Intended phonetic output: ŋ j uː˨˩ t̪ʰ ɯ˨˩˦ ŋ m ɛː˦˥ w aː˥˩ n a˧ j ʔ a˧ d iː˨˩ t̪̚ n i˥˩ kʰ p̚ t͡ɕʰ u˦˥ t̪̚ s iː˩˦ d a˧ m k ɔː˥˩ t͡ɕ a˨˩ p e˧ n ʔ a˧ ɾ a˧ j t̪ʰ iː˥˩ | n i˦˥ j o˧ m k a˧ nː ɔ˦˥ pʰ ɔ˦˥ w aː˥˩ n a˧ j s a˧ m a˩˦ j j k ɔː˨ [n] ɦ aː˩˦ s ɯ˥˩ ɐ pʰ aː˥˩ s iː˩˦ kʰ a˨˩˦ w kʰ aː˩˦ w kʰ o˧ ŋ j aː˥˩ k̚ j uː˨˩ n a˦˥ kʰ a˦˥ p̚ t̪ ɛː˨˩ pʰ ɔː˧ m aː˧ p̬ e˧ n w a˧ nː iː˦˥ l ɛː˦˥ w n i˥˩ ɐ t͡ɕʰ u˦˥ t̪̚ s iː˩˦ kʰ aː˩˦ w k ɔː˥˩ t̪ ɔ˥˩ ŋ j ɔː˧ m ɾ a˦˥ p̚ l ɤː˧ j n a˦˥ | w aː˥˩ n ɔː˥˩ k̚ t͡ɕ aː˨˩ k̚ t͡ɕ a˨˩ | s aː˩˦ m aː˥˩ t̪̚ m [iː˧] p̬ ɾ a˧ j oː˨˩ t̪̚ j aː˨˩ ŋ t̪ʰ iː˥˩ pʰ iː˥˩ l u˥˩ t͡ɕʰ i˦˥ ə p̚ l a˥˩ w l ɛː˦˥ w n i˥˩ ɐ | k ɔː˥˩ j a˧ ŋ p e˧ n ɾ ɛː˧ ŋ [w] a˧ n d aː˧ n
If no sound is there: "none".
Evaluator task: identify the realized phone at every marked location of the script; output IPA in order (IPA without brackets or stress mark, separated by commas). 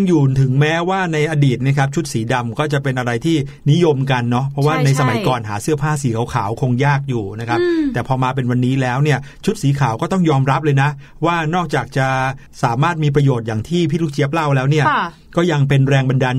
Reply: n, iː˧, b